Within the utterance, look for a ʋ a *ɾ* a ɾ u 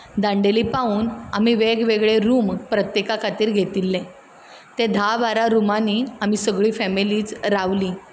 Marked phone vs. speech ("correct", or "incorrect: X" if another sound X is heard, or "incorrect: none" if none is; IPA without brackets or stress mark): correct